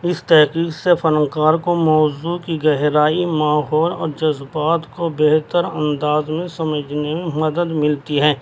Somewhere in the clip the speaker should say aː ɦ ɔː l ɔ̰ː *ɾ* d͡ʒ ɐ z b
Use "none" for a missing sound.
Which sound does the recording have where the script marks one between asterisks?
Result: ɾ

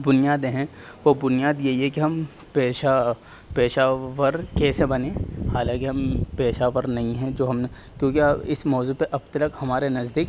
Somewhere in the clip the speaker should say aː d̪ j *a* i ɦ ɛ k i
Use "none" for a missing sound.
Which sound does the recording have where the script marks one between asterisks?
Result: e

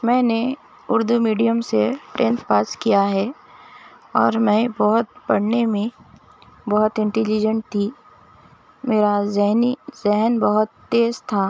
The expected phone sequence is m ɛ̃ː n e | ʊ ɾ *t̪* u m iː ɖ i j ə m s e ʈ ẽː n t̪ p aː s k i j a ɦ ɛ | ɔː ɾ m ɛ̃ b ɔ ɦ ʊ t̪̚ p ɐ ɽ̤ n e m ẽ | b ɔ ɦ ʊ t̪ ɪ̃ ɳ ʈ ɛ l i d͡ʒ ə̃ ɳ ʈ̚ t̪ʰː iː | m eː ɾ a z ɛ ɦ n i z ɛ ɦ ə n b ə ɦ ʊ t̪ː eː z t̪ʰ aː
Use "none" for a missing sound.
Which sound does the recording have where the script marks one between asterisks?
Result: d̪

